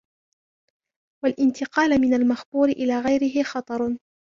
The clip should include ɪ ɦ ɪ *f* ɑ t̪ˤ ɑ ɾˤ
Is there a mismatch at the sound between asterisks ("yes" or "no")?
yes